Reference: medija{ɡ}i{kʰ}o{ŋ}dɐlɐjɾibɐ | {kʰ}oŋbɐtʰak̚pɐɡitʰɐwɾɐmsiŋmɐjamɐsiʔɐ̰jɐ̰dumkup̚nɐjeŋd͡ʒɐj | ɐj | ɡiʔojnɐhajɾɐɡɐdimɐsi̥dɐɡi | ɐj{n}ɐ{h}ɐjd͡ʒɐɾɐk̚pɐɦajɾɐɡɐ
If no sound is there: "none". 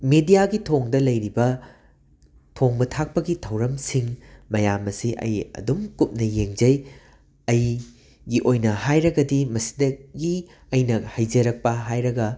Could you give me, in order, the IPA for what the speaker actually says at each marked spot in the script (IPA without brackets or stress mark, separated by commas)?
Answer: ɡ, tʰ, ŋ, tʰ, n, h